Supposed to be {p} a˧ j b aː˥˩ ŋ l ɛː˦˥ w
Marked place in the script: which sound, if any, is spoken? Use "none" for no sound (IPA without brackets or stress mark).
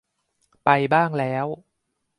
p